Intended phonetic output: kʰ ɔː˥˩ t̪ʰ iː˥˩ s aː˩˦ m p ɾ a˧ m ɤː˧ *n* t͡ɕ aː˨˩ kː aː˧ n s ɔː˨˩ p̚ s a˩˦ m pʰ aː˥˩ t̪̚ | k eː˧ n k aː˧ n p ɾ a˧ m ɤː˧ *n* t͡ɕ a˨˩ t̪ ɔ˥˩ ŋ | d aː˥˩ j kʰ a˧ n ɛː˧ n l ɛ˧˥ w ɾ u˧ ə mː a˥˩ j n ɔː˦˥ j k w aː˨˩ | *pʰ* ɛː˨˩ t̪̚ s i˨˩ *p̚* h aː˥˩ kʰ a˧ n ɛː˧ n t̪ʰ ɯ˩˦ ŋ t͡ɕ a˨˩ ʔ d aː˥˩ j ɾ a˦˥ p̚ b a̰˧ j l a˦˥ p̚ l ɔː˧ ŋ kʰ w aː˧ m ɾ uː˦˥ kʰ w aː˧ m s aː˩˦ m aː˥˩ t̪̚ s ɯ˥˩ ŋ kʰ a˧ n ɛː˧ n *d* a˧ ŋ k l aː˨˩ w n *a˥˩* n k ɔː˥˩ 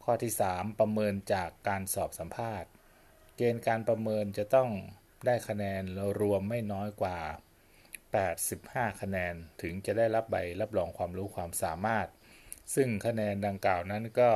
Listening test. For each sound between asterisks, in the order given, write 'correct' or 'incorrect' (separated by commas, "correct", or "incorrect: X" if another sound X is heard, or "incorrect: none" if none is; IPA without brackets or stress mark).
correct, correct, incorrect: p, correct, correct, incorrect: a˦˥